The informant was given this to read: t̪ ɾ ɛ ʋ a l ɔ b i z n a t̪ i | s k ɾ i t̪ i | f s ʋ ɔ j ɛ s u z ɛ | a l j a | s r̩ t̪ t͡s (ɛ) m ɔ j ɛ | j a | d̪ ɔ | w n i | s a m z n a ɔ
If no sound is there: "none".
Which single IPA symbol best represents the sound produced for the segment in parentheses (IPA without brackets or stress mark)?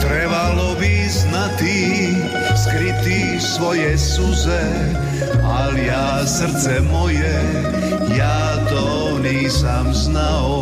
ɛ